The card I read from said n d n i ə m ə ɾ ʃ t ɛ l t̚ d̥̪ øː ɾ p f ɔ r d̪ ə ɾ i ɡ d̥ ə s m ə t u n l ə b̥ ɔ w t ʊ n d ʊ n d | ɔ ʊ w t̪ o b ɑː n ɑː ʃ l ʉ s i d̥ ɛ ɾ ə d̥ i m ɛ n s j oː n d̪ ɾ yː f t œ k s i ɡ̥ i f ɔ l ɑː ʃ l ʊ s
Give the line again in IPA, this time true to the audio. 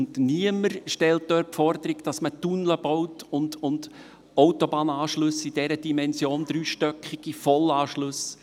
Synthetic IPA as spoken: n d n i ə m ə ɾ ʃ t ɛ l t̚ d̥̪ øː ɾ p f ɔ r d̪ ə ɾ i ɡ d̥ ɑ s m ə t u n l ə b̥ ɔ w t ʊ n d ʊ n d | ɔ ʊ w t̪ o b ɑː n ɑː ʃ l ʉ s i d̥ ɛ ɾ ə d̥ i m ɛ n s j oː n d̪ ɾ yː ʃ t œ k χ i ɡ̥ i f ɔ l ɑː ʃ l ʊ s